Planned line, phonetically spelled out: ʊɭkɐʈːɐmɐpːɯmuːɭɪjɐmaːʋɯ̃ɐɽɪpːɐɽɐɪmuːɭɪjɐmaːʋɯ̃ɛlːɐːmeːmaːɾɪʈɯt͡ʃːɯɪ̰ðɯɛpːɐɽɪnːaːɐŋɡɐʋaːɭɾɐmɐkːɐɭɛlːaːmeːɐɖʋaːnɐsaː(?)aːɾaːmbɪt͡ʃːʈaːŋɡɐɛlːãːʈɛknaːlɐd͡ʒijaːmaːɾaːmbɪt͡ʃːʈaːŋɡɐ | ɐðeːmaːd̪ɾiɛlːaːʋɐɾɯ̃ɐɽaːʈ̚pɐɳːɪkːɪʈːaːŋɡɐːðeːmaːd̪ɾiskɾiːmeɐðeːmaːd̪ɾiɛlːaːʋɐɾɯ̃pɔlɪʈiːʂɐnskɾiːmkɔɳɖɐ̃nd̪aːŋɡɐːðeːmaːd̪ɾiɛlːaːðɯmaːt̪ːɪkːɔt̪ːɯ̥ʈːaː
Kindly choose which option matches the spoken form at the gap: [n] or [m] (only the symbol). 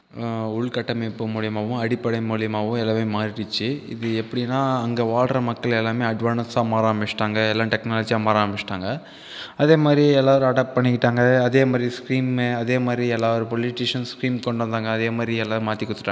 m